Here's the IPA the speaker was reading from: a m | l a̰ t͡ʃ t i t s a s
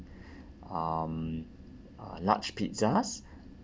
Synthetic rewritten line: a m | l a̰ t͡ʃ p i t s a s